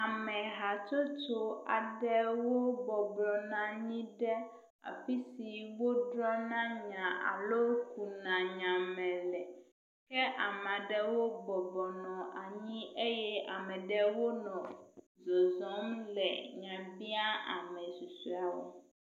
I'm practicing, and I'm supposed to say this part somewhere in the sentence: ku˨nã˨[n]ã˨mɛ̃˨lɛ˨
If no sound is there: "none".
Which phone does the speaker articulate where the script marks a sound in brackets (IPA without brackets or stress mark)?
ɲ